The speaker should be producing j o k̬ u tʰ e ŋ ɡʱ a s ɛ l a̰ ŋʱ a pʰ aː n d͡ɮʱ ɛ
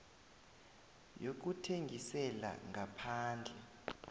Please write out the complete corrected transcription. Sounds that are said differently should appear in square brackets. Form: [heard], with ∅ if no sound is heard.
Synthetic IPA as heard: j o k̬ u tʰ e ŋ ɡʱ [i] s ɛ l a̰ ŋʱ a pʰ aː n d͡ɮʱ ɛ